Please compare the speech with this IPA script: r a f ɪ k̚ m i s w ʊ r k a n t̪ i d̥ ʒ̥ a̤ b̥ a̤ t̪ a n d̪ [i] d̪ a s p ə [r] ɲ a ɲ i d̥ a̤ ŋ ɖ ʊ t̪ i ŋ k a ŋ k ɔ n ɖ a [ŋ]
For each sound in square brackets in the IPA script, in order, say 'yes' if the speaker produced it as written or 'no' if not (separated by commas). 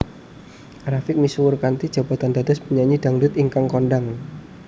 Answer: no, no, yes